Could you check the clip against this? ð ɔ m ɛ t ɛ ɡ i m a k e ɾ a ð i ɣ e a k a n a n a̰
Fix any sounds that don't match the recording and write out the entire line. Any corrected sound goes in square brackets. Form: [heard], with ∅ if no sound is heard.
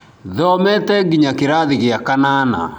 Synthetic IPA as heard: ð ɔ m ɛ t ɛ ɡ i [ɲ] a k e ɾ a ð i ɣ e a k a n a n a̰

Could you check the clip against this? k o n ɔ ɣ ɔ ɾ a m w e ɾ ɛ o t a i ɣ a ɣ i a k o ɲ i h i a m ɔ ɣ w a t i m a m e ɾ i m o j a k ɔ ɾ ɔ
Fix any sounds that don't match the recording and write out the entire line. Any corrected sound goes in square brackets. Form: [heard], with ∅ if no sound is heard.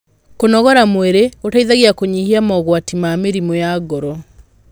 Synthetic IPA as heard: k o n ɔ ɣ ɔ ɾ a m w e ɾ [e] o t a i [ð] a ɣ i a k o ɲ i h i a m ɔ ɣ w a t i m a m e ɾ i m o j a [ɡ] ɔ ɾ ɔ

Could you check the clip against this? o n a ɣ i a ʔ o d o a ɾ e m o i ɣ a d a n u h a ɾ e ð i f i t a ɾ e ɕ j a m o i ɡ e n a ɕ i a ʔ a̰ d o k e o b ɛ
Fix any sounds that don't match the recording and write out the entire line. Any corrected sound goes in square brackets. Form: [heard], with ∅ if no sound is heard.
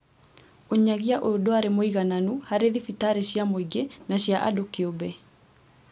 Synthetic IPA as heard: o [ɲ] a ɣ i a ʔ o d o a ɾ e m o i ɣ a [n] a n u h a ɾ e ð i f i t a ɾ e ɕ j a m o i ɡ e n a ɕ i a ʔ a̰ d o k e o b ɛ

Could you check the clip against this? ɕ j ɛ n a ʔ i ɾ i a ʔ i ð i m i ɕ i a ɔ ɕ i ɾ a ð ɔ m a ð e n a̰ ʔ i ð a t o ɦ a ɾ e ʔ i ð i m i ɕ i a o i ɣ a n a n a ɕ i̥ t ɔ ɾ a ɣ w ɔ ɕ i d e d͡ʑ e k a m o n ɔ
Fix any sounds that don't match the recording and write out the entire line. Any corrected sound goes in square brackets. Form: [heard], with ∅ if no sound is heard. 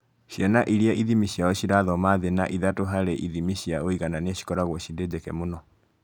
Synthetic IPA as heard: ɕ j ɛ n a ʔ i ɾ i a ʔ i ð i m i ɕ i a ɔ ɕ i ɾ a ð ɔ m a ð e n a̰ ʔ i ð a t o ɦ a ɾ e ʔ i ð i m i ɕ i a o i ɣ a n a n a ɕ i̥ [k] ɔ ɾ a ɣ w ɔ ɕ i d e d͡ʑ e k [ɛ] m o n ɔ

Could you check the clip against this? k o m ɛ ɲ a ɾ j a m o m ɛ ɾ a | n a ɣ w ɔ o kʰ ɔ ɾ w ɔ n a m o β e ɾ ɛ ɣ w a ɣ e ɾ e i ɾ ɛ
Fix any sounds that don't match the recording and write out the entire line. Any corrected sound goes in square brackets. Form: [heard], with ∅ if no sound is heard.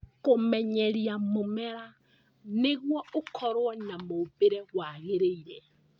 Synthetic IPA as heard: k o m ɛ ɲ [ɛ] ɾ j a m o m ɛ ɾ a | n [e] ɣ w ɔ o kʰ ɔ ɾ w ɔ n a m o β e ɾ ɛ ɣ w a ɣ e ɾ e i ɾ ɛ

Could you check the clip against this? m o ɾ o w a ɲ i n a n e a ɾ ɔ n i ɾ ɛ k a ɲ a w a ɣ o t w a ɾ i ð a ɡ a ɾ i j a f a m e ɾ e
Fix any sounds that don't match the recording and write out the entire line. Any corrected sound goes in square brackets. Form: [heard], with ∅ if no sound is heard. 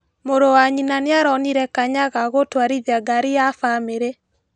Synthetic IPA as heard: m o ɾ o w a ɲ i n a n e a ɾ ɔ n i ɾ ɛ k a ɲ a [ɣ] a ɣ o t w a ɾ i ð a ɡ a ɾ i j a f a m e ɾ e

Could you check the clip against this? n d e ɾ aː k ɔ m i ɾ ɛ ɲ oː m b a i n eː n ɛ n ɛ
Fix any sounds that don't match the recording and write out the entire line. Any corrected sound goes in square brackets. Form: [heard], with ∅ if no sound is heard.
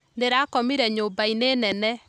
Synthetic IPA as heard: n d e ɾ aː k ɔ m i ɾ ɛ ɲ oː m b a i n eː n ɛ n ɛ

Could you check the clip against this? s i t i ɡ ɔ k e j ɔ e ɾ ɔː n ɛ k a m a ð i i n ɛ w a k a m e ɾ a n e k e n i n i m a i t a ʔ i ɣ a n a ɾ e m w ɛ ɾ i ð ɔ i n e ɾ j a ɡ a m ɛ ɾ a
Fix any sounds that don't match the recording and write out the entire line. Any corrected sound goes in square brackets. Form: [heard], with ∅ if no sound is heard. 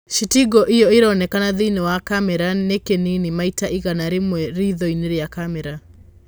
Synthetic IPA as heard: [ʃ] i t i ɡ ɔ [ʔ] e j ɔ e ɾ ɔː n ɛ k a [n] a ð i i n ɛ w a k a m [ɛ] ɾ a n e k e n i n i m a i t a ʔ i ɣ a n a ɾ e m w ɛ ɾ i ð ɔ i n e ɾ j a [k] a m ɛ ɾ a

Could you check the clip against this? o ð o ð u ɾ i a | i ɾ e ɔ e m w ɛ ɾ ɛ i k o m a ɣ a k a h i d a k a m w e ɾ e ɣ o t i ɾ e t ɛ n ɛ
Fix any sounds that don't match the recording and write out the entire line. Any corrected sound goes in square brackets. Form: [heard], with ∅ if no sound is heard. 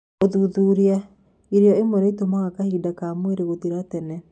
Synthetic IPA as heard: o ð [u] ð u ɾ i a | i ɾ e ɔ e m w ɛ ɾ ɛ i [t] o m a ɣ a k a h i d a k a m w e ɾ e ɣ o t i ɾ [a] t ɛ n ɛ

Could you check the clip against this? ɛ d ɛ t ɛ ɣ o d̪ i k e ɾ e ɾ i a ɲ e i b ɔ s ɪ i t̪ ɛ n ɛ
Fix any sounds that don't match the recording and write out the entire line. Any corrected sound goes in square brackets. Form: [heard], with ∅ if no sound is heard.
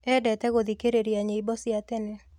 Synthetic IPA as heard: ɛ d ɛ t ɛ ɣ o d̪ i k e ɾ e ɾ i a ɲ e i b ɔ s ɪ [a] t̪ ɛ n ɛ

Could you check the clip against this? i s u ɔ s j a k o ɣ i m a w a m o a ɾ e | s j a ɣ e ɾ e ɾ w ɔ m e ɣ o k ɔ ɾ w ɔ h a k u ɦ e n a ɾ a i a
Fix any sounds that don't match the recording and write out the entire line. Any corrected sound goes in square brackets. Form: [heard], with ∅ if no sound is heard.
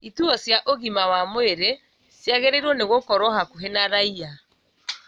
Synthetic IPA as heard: i [t] u ɔ s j a [ʔ] o ɣ i m a w a m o [e] ɾ e | s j a ɣ e ɾ e ɾ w ɔ [n] e ɣ o k ɔ ɾ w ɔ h a k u ɦ e n a ɾ a i a

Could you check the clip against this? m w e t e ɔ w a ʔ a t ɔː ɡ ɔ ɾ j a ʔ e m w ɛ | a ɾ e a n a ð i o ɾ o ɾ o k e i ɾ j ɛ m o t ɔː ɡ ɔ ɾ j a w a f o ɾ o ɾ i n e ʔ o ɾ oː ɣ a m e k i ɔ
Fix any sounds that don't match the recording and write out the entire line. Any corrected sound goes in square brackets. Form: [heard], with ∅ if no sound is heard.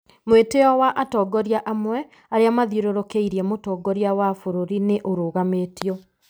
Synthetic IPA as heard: m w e t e ɔ w a ʔ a t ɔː ɡ ɔ ɾ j a ʔ [a] m w ɛ | a ɾ e a [m] a ð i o ɾ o ɾ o k e i ɾ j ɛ m o t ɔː ɡ ɔ ɾ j a w a f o ɾ o ɾ i n e ʔ o ɾ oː ɣ a m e [t] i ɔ

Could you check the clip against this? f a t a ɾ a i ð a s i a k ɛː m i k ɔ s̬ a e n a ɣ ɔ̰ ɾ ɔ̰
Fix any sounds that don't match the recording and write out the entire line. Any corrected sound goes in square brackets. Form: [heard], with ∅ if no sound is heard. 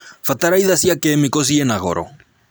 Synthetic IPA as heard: f a t a ɾ a i ð a s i a k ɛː m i k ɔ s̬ [i] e n a ɣ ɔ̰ ɾ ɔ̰

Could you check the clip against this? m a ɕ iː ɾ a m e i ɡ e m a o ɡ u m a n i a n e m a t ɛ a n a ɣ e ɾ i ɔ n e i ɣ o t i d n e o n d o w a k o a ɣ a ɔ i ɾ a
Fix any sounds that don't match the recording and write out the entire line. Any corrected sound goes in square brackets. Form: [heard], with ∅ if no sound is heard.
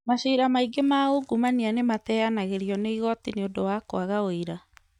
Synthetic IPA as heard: m a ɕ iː ɾ a m [a] i ɡ e m a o ɡ u m a n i a n e m a t ɛ a n a ɣ e ɾ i ɔ n e i ɣ [ɔ] t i [∅] n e o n d o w a k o a ɣ a [o] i ɾ a

